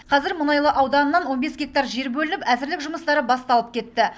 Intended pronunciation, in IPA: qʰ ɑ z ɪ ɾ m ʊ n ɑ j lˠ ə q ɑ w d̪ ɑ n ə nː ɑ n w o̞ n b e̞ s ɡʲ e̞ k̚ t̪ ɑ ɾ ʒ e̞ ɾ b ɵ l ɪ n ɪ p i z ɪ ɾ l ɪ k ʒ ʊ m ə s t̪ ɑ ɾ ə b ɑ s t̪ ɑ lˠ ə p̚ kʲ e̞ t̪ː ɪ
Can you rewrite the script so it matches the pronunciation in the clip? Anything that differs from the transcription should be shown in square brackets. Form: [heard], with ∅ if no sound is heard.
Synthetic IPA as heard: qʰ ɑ z ɪ ɾ m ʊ n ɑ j lˠ ə [ʔ] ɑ w d̪ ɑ n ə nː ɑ n w o̞ n b e̞ s ɡʲ e̞ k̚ t̪ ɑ ɾ ʒ e̞ ɾ b ɵ l ɪ n ɪ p [æ] z ɪ ɾ l ɪ k ʒ ʊ m ə s t̪ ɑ ɾ ə b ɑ s t̪ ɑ lˠ ə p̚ kʲ e̞ t̪ː ɪ